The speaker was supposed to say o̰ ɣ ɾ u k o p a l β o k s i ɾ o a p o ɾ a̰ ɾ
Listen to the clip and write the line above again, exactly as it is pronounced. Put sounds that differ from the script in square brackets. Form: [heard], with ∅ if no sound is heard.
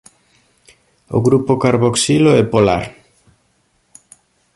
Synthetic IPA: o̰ ɣ ɾ u [p] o [k] a [ɾ] β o k s i [l] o [ɛ] p o [l] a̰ ɾ